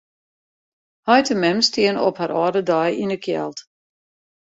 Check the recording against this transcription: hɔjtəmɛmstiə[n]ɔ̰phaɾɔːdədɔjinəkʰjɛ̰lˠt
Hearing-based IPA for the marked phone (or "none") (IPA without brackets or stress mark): n